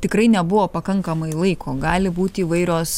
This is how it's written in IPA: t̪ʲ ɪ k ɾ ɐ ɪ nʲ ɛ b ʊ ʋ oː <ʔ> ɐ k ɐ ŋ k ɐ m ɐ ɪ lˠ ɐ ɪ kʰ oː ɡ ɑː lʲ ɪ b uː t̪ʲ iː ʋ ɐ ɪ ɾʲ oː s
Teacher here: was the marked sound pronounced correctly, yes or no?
no